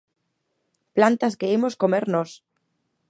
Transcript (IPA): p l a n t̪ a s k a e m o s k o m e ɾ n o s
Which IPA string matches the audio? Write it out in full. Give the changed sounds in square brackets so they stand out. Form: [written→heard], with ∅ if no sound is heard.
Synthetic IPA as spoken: p l a n t̪ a s k [a→e] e m o s k o m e ɾ n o s